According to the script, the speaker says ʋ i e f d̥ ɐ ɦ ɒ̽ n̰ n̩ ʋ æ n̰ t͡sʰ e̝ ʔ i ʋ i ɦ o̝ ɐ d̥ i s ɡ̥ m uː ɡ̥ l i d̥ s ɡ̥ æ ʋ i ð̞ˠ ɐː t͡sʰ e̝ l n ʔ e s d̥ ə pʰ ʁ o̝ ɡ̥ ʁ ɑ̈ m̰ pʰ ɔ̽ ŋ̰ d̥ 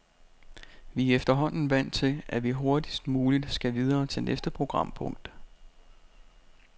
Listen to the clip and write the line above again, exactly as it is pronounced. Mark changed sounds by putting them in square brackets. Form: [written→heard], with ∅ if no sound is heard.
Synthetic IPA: ʋ i e f d̥ ɐ ɦ ɒ̽ n̰ n̩ ʋ æ n̰ t͡sʰ e̝ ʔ [i→æ] ʋ i ɦ o̝ ɐ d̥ i s [ɡ̥→d̥] m uː [ɡ̥→∅] l i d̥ s ɡ̥ æ ʋ i ð̞ˠ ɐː t͡sʰ e̝ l n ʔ e s d̥ ə pʰ ʁ o̝ ɡ̥ ʁ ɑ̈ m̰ pʰ ɔ̽ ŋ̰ d̥